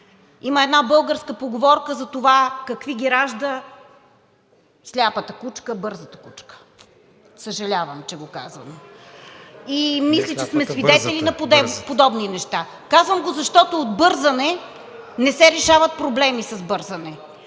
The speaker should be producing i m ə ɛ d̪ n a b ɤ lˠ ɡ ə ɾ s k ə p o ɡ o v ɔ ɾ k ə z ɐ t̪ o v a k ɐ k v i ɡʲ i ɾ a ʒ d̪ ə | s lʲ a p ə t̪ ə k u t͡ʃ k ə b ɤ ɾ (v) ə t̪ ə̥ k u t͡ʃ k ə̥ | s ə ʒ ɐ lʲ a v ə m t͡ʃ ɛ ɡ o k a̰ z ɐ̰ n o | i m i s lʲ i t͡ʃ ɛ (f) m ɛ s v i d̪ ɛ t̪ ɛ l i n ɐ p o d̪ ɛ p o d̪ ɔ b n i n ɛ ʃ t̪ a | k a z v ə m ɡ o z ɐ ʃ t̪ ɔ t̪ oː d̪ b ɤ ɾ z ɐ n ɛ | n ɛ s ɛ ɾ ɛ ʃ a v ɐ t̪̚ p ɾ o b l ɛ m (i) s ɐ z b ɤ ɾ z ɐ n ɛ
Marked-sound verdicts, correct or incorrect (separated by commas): incorrect, incorrect, correct